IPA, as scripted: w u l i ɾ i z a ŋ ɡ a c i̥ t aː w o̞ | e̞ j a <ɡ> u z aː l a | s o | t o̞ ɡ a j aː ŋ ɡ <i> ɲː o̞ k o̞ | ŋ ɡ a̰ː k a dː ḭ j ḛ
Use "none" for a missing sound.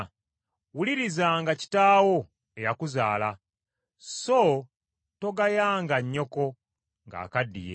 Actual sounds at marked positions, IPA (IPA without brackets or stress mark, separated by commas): k, a